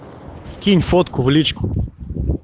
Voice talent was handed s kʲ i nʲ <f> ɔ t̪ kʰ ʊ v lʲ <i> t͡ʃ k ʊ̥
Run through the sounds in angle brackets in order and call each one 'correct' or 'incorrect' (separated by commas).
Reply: correct, correct